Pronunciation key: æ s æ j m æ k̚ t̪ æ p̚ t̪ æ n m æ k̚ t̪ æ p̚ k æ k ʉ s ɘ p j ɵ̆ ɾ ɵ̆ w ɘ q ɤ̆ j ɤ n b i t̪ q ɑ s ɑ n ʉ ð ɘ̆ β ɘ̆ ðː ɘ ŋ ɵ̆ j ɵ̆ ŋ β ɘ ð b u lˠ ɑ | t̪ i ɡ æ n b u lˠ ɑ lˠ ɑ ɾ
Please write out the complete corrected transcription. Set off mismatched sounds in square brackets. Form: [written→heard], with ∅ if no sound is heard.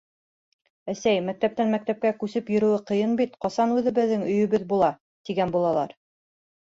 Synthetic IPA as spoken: æ s æ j m æ k̚ t̪ æ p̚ t̪ æ n m æ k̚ t̪ æ p̚ k æ k ʉ s ɘ p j ɵ̆ ɾ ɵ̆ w ɘ q ɤ̆ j ɤ n b i t̪ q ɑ s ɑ n ʉ ð ɘ̆ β ɘ̆ ðː ɘ ŋ ɵ̆ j ɵ̆ [ŋ→∅] β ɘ ð b u lˠ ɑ | t̪ i ɡ æ n b u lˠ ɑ lˠ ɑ ɾ